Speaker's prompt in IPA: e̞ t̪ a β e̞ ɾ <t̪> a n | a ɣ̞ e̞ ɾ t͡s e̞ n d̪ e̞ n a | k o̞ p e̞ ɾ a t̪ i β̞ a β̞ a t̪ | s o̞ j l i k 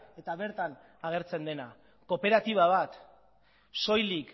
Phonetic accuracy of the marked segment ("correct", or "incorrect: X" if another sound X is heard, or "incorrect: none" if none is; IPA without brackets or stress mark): correct